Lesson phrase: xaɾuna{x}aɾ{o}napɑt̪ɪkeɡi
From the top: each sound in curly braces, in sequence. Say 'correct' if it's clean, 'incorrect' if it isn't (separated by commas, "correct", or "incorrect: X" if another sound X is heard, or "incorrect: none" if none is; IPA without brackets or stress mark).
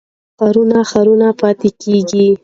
correct, incorrect: u